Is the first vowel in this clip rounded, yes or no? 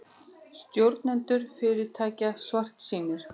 yes